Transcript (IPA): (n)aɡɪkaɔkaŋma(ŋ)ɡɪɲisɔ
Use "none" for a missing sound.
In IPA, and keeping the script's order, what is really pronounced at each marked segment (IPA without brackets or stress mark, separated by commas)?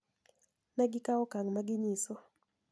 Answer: n, none